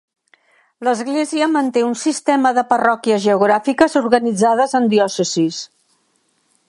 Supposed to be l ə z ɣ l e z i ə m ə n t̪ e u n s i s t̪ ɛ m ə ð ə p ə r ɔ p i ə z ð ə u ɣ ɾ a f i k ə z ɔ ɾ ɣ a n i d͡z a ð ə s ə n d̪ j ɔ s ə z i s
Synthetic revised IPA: l ə z ɣ l e z i ə m ə n t̪ e u n s i s t̪ ɛ m ə ð ə p ə r ɔ k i ə z ʒ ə u ɣ ɾ a f i k ə z u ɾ ɣ ə n i d͡z a ð ə z ə n d̪ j ɔ s ə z i s